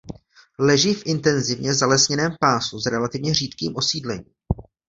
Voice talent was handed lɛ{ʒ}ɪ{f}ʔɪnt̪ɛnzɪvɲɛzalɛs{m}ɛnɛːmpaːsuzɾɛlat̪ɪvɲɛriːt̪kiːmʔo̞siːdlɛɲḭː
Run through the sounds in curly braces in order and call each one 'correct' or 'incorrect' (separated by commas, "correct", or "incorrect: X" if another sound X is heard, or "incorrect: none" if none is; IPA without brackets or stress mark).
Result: correct, correct, incorrect: ɲ